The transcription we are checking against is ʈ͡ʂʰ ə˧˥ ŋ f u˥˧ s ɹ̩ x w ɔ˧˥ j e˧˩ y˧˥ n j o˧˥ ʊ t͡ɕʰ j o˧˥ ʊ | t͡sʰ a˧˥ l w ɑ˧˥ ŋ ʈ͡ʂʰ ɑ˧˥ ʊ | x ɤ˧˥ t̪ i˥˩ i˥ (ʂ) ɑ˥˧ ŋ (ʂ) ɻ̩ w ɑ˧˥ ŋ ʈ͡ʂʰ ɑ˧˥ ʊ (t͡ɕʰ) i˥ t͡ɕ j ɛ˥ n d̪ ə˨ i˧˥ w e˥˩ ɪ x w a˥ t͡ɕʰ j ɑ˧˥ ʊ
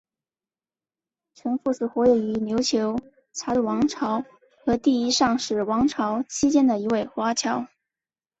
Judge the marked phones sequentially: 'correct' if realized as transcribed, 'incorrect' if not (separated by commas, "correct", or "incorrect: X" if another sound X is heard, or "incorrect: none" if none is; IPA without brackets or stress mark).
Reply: correct, correct, correct